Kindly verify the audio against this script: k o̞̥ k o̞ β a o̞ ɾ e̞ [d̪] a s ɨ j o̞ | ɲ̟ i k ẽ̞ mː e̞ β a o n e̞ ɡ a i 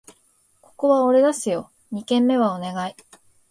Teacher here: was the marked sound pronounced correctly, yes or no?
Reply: yes